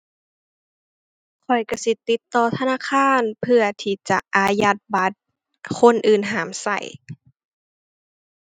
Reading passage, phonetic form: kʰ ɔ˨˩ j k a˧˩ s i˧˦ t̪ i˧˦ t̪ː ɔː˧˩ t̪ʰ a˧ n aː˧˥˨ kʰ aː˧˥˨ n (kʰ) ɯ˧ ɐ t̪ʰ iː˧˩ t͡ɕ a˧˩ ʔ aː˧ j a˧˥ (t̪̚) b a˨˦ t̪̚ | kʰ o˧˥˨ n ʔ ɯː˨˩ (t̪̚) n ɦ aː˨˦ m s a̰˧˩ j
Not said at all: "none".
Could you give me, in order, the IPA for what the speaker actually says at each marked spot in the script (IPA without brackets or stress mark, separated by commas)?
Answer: pʰ, t̪̚, none